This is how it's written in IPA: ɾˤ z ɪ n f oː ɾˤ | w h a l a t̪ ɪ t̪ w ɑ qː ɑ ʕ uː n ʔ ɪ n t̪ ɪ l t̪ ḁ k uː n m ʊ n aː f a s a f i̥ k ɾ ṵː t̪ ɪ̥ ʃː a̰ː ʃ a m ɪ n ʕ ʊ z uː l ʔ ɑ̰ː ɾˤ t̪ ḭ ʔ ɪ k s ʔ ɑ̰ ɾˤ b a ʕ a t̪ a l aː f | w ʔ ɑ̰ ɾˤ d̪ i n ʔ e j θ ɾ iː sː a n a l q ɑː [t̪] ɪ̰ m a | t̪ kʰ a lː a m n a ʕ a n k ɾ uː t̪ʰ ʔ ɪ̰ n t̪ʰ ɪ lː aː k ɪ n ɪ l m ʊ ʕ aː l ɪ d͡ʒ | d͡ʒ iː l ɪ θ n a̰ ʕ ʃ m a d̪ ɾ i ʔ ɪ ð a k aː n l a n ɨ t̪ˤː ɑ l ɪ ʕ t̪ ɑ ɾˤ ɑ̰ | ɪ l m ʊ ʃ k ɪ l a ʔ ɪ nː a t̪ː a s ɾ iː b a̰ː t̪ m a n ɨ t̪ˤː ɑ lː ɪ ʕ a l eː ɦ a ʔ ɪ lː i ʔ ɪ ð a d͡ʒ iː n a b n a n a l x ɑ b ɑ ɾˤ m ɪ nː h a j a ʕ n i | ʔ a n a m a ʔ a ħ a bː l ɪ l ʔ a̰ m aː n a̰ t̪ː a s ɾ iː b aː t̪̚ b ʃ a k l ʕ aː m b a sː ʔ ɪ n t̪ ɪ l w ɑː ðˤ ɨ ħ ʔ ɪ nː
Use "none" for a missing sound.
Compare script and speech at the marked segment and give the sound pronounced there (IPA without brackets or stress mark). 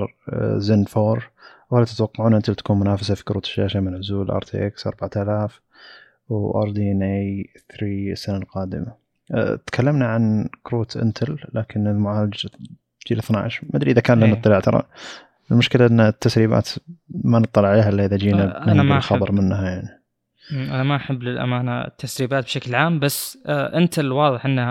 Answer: d̪